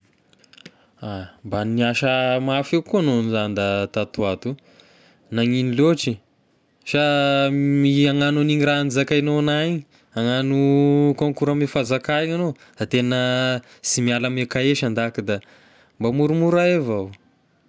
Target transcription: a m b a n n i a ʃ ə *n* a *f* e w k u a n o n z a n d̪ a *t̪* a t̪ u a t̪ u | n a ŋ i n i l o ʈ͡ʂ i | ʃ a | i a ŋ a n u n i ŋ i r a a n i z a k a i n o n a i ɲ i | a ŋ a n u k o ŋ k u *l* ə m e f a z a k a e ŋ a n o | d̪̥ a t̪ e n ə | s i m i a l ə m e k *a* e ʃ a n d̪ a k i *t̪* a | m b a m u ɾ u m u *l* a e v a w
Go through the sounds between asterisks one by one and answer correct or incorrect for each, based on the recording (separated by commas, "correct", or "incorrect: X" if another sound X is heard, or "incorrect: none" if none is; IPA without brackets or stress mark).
incorrect: m, correct, correct, incorrect: ɾ, correct, incorrect: d̪, incorrect: ɾ